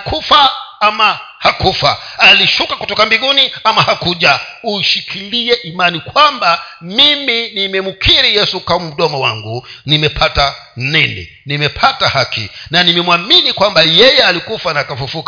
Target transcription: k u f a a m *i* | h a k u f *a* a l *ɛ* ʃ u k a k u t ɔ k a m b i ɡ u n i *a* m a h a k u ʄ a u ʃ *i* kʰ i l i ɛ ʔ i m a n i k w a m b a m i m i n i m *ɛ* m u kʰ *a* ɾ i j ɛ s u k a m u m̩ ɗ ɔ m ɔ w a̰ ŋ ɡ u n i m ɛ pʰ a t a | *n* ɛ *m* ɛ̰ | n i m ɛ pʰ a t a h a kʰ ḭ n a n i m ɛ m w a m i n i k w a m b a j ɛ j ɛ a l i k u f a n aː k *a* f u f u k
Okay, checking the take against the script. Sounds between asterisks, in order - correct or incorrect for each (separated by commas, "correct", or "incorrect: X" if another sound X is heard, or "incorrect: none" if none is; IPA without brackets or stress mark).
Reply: incorrect: a, correct, incorrect: i, correct, correct, correct, incorrect: i, correct, incorrect: n, correct